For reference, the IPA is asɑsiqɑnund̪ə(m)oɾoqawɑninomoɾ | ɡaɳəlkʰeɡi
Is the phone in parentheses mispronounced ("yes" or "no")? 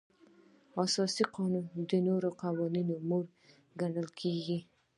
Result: yes